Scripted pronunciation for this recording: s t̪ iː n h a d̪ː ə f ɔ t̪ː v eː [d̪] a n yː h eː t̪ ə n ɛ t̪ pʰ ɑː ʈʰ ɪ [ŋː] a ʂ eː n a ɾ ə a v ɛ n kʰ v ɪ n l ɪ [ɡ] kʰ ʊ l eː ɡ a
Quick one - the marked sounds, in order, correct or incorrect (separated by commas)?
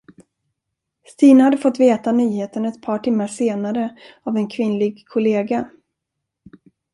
incorrect, incorrect, correct